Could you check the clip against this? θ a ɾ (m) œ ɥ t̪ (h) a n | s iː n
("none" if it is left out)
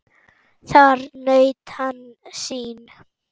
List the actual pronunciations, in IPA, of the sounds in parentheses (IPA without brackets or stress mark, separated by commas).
n, h